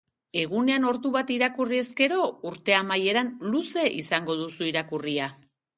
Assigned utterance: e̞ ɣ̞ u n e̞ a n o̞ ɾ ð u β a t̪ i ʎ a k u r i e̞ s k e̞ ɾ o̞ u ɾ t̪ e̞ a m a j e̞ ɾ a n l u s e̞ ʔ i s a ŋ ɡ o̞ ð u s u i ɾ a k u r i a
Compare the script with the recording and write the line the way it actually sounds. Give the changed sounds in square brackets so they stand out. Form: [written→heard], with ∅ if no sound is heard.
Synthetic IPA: e̞ ɣ̞ u n e̞ a n o̞ ɾ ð u β a t̪ i [ʎ→ɾ] a k u r i e̞ s k e̞ ɾ o̞ u ɾ t̪ e̞ a m a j e̞ ɾ a n l u s e̞ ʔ i s a ŋ ɡ o̞ ð u s u i ɾ a k u r i a